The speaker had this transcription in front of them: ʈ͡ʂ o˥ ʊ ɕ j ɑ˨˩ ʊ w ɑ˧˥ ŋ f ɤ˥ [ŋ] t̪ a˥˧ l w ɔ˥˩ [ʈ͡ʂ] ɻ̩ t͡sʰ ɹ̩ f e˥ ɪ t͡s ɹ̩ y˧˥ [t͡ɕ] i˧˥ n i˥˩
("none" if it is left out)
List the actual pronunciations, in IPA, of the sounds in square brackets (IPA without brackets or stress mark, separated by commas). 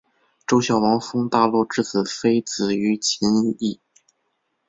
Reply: ŋ, ʈ͡ʂ, t͡ɕʰ